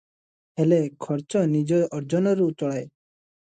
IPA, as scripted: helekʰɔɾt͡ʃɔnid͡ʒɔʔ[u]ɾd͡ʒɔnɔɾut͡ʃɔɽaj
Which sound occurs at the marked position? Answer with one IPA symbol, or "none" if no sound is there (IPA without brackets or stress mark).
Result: ɔ